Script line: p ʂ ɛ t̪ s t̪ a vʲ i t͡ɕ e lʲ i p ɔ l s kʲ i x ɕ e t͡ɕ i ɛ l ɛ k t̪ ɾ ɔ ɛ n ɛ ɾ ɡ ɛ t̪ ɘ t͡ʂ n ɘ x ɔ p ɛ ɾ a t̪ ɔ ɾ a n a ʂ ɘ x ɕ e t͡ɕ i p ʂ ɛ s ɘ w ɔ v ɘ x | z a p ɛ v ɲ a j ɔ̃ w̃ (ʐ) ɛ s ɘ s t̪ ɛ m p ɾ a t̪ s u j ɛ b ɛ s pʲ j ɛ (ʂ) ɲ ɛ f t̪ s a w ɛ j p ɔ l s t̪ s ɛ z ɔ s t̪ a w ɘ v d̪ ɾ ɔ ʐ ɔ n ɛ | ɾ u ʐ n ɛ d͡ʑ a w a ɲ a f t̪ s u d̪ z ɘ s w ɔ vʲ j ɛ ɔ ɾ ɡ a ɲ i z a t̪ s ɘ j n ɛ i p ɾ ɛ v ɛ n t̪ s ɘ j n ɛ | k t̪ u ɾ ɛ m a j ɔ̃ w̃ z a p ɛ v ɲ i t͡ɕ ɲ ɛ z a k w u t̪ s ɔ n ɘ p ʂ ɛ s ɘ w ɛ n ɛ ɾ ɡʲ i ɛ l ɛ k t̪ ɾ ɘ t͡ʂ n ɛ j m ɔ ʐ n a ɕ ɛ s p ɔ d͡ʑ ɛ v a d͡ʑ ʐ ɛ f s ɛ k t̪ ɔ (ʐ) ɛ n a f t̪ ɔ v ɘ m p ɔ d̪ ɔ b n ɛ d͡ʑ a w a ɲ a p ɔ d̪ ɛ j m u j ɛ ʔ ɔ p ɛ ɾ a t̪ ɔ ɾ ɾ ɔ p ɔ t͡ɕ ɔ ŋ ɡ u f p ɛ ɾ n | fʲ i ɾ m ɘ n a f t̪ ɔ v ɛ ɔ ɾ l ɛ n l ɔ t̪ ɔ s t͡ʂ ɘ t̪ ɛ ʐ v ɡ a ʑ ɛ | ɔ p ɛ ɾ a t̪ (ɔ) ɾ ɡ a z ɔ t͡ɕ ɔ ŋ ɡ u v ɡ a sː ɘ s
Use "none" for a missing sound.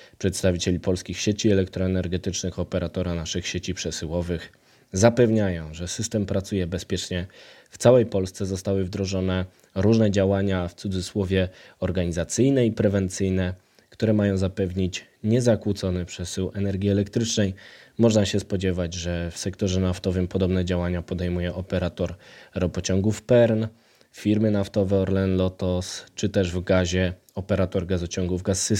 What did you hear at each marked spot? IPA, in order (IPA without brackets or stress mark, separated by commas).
ʐ, t͡ʂ, ʐ, ɔ